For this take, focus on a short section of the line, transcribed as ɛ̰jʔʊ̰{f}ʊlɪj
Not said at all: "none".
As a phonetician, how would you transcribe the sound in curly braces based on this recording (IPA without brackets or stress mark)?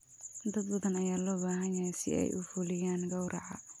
f